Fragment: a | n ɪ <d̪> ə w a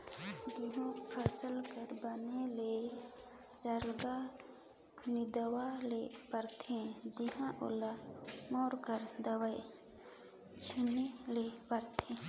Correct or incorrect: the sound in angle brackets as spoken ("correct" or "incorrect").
correct